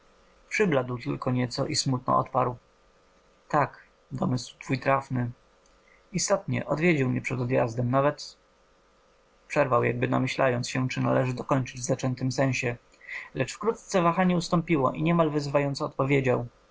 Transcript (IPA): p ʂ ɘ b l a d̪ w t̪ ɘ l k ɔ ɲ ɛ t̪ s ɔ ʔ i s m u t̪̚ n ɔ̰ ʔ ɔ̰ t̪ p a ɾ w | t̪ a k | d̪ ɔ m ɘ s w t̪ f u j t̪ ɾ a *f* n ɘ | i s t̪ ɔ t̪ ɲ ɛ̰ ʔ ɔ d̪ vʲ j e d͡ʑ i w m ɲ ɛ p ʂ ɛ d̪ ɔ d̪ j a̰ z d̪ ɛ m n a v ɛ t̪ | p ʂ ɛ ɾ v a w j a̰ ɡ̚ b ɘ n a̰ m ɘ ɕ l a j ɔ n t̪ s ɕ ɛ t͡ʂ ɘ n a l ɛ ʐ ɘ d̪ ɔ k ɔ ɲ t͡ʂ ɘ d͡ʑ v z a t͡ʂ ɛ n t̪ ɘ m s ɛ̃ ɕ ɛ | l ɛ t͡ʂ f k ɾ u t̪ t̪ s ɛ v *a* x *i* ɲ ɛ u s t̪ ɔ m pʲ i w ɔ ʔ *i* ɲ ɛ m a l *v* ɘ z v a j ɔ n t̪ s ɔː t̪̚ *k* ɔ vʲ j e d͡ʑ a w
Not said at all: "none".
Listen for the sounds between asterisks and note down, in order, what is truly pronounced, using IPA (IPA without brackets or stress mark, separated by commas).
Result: f, a, a, i, v, p